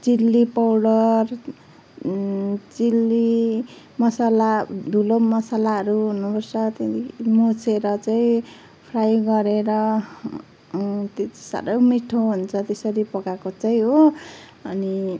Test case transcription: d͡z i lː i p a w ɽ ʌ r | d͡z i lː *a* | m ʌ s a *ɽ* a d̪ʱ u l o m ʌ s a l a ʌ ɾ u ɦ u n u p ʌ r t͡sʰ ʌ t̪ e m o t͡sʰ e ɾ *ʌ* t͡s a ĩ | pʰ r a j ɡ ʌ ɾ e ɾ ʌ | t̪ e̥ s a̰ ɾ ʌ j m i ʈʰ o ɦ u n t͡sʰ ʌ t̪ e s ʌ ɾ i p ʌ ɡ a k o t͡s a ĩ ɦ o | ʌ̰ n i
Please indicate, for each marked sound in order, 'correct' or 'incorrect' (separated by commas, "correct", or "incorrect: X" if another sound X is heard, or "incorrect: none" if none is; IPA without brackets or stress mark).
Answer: incorrect: i, incorrect: l, correct